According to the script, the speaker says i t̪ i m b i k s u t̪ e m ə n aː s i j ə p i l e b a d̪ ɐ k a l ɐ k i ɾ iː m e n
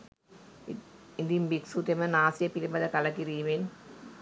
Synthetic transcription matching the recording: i d̪ i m b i k s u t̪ e m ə n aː s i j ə p i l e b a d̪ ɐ k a l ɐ k i ɾ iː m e n